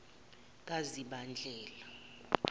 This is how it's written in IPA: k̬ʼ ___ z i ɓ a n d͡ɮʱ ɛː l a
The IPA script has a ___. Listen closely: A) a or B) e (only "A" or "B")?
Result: A